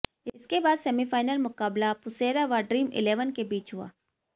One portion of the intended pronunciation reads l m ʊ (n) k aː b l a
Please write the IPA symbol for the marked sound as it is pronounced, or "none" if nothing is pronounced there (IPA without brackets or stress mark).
none